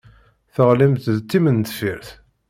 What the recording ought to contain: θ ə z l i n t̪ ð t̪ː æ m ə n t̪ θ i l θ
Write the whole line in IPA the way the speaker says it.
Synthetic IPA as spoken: θ ə ʁ l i m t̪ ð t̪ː i m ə n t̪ f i ɾ θ